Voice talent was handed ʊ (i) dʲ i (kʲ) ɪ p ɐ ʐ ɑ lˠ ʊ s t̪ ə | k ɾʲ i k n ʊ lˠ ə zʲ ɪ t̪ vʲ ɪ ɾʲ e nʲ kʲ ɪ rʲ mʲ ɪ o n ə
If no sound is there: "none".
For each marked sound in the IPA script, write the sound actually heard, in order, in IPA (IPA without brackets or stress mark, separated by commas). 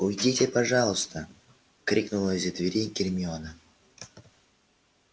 j, tʲ